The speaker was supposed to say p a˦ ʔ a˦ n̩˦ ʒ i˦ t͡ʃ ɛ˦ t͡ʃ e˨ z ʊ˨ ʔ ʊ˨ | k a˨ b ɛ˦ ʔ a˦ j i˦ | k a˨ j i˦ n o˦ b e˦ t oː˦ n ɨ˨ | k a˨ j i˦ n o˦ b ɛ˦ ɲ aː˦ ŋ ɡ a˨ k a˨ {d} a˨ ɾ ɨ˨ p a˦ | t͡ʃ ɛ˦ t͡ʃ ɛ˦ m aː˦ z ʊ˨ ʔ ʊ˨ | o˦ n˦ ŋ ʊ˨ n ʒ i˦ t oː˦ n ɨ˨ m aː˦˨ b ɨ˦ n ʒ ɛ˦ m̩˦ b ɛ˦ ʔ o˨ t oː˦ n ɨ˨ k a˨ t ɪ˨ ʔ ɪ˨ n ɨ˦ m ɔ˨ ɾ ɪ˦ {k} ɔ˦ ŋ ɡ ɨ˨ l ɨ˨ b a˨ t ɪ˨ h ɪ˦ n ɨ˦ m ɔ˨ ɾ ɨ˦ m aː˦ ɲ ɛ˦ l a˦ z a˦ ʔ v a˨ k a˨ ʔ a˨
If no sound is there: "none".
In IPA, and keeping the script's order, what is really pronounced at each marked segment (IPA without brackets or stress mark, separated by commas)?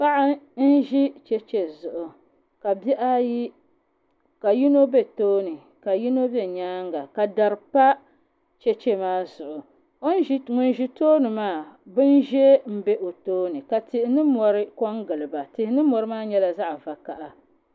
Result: d, k